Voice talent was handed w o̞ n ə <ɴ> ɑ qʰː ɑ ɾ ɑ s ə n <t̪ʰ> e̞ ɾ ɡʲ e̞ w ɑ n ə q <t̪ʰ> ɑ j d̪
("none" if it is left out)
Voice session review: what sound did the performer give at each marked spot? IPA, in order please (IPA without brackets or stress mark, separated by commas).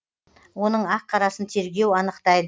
ɴ, t̪ʰ, t̪